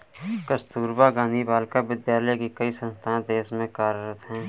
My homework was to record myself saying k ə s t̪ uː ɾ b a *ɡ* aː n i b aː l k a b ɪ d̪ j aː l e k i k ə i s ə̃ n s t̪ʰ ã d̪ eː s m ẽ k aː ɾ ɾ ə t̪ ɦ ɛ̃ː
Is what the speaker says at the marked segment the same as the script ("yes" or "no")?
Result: yes